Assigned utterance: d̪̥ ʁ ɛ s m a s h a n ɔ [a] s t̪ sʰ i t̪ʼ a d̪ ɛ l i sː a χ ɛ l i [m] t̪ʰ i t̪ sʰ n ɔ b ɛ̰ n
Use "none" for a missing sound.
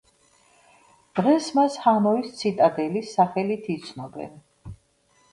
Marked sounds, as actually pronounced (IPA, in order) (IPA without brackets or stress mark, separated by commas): i, none